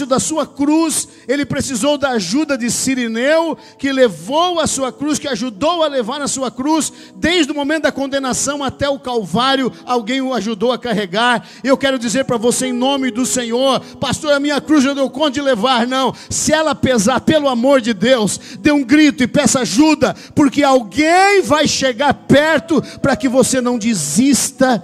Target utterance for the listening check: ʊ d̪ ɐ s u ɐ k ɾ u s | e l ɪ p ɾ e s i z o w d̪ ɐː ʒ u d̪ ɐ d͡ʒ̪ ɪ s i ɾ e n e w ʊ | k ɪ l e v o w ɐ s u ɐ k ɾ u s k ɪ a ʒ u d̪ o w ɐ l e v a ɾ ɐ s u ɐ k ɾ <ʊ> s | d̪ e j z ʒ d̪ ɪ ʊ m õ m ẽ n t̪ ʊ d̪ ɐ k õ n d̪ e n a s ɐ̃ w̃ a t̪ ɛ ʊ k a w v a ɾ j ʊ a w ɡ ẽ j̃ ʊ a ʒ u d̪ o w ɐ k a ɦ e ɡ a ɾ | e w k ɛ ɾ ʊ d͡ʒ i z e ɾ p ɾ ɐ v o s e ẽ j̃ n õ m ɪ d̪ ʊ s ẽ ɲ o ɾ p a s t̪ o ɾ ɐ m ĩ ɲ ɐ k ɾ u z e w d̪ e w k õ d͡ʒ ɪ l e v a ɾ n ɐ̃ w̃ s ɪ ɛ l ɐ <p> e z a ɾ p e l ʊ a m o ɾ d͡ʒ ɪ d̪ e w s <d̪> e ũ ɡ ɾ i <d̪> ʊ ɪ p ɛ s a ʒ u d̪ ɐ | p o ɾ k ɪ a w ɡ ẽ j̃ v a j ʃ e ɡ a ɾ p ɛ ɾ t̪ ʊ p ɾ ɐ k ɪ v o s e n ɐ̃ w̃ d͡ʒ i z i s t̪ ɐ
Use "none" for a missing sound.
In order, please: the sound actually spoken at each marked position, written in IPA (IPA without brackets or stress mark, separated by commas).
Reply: u, p, d̪, t̪